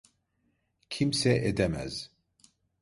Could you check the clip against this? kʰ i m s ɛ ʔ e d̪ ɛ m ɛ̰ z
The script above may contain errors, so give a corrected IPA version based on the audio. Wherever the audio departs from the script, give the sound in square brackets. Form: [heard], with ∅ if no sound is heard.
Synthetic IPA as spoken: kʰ i m s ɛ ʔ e d̪ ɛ m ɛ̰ z